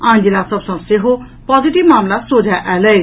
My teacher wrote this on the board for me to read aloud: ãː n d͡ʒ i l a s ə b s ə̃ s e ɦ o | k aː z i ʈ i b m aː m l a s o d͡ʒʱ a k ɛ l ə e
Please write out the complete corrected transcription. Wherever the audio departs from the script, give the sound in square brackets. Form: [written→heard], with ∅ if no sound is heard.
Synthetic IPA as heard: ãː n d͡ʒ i l a s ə b s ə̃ s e ɦ o | [k→p] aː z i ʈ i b m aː m l a s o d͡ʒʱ a [k→ʔ] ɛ l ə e